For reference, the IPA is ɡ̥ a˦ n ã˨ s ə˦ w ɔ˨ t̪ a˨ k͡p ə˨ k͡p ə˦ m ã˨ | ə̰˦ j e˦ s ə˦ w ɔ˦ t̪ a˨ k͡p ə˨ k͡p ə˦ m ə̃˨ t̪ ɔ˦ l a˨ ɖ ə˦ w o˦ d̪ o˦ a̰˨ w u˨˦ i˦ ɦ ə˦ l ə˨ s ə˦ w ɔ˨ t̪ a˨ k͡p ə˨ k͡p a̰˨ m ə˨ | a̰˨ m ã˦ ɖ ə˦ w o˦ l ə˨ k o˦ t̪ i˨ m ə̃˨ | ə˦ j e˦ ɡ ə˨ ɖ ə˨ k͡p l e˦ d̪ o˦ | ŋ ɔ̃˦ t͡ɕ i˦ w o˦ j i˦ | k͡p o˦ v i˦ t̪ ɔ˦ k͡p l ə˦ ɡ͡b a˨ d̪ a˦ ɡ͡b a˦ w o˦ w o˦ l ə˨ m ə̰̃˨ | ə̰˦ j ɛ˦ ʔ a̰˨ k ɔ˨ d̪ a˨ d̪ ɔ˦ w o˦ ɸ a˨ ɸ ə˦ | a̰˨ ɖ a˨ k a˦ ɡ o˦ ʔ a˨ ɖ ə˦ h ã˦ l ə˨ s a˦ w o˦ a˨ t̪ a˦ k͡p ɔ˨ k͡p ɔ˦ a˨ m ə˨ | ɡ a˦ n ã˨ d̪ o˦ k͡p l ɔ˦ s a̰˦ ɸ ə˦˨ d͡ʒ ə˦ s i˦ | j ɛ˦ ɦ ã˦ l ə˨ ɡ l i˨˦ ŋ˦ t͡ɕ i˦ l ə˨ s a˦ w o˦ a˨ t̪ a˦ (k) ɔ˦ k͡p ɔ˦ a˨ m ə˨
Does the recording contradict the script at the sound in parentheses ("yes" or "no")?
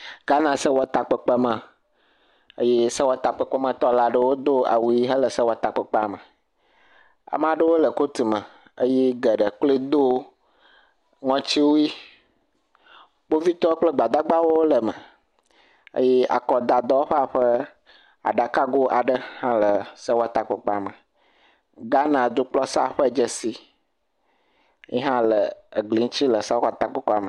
yes